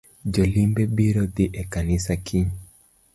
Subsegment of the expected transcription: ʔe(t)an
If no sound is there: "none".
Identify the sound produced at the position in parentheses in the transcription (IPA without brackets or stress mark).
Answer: k